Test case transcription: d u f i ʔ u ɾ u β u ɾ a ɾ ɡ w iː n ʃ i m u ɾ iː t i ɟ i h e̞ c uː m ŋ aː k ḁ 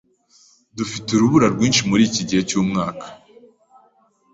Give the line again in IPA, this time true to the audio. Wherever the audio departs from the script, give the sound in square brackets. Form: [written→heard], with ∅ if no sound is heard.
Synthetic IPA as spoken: d u f i [ʔ→t] u ɾ u β u ɾ a ɾ ɡ w iː n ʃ i m u ɾ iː [t→c] i ɟ i h e̞ c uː m ŋ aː k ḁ